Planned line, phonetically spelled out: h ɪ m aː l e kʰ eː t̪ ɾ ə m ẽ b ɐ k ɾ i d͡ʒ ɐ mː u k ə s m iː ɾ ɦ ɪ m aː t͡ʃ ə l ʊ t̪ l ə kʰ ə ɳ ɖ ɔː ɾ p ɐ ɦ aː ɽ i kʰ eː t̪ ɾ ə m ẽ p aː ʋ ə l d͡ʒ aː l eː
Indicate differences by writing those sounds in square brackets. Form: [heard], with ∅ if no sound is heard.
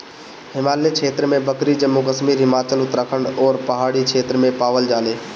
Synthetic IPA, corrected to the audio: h ɪ m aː l e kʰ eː t̪ ɾ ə m ẽ b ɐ k ɾ i d͡ʒ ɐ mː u k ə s m iː ɾ ɦ ɪ m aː t͡ʃ ə l ʊ t̪ [ɾ] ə kʰ ə ɳ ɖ ɔː ɾ p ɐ ɦ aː ɽ i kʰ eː t̪ ɾ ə m ẽ p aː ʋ ə l d͡ʒ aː l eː